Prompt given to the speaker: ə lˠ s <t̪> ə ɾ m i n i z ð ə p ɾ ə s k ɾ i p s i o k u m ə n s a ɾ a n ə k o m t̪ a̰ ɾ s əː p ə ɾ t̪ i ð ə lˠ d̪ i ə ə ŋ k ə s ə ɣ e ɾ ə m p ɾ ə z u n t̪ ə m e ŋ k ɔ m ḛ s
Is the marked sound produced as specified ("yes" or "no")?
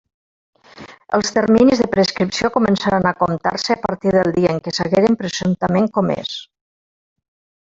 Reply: yes